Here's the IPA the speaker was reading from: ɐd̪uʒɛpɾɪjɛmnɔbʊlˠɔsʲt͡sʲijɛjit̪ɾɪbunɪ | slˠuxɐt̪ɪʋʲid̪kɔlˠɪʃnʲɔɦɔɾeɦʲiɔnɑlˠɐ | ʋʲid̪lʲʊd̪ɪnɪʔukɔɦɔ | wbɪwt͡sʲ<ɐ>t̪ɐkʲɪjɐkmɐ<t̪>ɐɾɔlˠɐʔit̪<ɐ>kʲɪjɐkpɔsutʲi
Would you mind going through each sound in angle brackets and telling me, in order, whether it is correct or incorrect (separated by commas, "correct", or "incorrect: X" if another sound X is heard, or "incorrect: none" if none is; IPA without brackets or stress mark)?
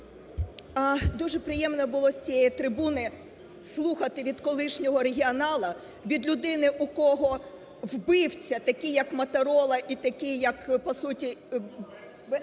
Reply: correct, correct, correct